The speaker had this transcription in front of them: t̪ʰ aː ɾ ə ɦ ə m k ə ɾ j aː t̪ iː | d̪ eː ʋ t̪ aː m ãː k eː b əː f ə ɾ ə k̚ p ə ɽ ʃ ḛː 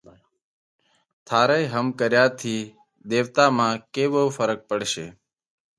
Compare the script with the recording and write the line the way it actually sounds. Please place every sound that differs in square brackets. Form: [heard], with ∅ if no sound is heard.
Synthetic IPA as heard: t̪ʰ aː ɾ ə ɦ ə m k ə ɾ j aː [t̪ʰ] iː | d̪ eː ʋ t̪ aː m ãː k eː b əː f ə ɾ ə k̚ p ə ɽ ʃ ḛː